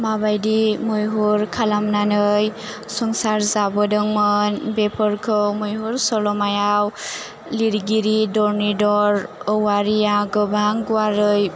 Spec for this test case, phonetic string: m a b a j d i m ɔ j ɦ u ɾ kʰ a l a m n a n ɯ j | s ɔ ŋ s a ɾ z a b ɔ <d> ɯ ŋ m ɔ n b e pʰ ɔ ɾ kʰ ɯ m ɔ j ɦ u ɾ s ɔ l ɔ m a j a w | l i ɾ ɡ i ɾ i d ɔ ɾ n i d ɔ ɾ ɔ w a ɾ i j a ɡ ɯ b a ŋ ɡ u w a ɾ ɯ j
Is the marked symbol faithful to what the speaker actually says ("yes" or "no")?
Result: yes